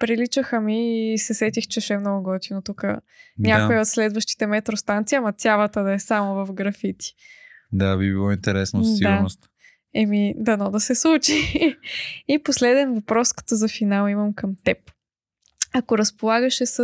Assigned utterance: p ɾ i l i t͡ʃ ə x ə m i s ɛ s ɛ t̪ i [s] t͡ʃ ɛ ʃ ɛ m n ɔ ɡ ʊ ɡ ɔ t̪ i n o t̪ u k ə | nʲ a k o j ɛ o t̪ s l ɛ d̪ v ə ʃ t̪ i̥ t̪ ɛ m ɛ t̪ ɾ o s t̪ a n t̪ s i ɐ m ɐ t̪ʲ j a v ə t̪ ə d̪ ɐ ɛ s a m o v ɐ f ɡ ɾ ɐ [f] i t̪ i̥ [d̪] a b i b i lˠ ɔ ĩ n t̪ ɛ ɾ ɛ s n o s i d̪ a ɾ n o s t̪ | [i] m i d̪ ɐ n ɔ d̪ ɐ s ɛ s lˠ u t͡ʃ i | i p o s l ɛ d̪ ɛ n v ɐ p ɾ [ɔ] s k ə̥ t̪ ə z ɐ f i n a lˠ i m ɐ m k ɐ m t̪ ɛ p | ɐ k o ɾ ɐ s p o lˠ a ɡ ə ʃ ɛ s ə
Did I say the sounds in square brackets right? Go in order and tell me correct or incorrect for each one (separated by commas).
incorrect, correct, correct, incorrect, correct